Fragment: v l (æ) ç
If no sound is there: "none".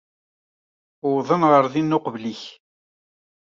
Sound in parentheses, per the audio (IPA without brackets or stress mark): i